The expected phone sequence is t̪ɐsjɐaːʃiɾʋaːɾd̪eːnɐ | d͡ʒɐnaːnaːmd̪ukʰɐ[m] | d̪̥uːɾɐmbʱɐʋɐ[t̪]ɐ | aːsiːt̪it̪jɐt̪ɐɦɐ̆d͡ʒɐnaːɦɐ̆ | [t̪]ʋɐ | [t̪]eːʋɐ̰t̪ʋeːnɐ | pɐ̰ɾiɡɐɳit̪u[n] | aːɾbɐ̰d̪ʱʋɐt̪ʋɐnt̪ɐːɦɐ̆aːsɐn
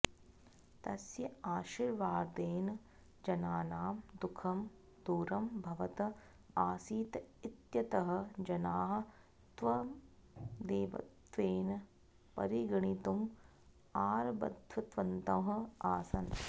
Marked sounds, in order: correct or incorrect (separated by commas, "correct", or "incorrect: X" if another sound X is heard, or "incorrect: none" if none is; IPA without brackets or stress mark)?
correct, correct, correct, incorrect: d̪, incorrect: m